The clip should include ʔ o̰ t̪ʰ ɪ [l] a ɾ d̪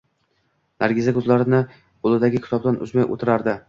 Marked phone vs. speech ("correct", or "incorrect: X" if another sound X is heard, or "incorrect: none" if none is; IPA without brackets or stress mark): incorrect: ɾ